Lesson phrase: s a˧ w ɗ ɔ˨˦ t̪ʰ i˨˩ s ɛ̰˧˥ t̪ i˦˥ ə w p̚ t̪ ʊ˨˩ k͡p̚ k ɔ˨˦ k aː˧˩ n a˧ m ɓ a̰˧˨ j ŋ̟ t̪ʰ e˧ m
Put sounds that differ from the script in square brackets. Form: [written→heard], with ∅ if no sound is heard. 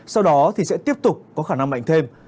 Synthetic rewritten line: s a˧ w ɗ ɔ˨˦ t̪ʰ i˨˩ s ɛ̰˧˥ t̪ i˦˥ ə [w→∅] p̚ t̪ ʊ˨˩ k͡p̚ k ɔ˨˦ [k→x] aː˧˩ n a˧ [m→ŋ] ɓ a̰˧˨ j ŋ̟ t̪ʰ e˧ m